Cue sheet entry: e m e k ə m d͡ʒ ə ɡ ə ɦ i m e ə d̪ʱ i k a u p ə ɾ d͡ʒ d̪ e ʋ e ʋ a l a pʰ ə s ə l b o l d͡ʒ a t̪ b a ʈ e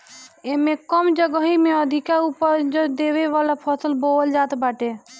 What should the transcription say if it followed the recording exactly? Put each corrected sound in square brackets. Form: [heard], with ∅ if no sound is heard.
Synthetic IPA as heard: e m e k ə m d͡ʒ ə ɡ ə ɦ i m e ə d̪ʱ i k a u p ə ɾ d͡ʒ d̪ e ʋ e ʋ a l a pʰ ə s ə l b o l d͡ʒ a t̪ b a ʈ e

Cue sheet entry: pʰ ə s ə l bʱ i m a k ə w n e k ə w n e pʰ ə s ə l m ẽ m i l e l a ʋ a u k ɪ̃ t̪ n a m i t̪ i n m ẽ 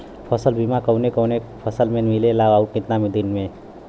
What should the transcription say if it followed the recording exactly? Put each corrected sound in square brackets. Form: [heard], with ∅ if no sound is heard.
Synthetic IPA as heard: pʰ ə s ə l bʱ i m a k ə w n e k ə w n e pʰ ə s ə l m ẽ m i l e l a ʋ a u k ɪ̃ t̪ n a m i [d̪] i n m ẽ

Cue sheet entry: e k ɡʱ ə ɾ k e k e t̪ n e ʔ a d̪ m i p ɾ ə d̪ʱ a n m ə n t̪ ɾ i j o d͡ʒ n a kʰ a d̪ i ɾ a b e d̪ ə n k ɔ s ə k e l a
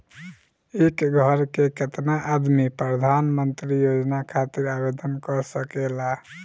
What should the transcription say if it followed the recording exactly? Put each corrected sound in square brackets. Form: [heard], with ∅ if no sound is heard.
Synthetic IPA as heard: e k ɡʱ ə ɾ k e k e t̪ n [a] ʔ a d̪ m i p ɾ ə d̪ʱ a n m ə n t̪ ɾ i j o d͡ʒ n a kʰ a [t̪] i ɾ a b e d̪ ə n k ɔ s ə k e l a

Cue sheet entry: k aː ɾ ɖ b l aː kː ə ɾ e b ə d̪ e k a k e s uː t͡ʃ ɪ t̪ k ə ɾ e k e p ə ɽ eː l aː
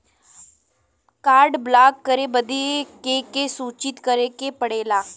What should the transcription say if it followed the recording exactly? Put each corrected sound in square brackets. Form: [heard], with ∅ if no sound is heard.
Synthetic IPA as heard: k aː ɾ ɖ b l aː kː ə ɾ e b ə d̪ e k [e] k e s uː t͡ʃ ɪ t̪ k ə ɾ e k e p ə ɽ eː l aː

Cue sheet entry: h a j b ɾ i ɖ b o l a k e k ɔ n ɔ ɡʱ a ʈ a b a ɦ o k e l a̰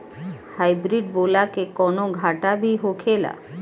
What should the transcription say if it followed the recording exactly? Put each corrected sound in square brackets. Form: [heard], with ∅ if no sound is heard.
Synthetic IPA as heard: h a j b ɾ i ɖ b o l a k e k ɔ n [o] ɡʱ a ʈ a b [i] ɦ o [kʰ] e l a̰

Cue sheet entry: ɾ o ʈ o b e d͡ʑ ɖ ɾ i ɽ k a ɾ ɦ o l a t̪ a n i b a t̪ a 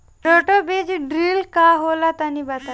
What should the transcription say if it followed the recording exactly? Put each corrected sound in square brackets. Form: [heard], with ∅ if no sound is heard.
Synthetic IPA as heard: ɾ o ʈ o b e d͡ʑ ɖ ɾ i [l] k a [∅] ɦ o l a t̪ a n i b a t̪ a

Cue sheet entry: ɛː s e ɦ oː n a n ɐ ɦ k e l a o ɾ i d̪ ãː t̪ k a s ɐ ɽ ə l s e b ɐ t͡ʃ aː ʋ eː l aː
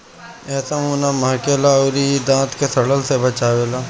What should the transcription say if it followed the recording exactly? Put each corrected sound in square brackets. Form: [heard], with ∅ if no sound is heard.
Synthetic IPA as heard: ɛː s [a] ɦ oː n a [m] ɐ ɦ k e l a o ɾ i d̪ ãː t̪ k [e] s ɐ ɽ ə l s e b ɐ t͡ʃ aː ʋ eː l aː

